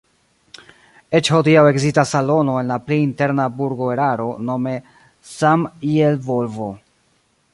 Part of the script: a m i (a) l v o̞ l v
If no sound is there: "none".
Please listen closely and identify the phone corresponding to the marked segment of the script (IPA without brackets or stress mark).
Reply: e